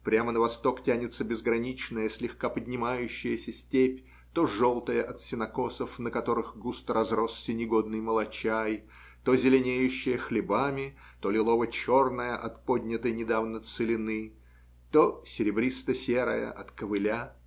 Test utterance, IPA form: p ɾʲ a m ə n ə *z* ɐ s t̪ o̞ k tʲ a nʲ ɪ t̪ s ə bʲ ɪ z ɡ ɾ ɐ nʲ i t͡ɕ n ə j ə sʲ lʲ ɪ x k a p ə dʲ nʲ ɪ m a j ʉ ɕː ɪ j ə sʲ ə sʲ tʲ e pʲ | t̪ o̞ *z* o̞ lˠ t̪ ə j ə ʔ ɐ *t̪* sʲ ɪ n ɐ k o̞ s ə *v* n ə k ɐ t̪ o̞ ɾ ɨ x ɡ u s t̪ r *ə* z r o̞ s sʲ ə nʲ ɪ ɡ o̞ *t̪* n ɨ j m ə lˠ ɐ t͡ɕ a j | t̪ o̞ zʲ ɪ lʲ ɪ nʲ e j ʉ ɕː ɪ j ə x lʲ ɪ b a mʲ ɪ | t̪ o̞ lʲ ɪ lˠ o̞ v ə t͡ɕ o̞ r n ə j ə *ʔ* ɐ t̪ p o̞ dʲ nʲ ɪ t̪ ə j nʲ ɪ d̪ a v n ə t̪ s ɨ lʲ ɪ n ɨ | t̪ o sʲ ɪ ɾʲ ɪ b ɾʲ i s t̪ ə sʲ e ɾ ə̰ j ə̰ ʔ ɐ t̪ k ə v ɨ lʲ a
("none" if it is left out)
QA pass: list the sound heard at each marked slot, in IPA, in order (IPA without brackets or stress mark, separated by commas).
v, ʐ, t̪, f, ɐ, d̪, ʔ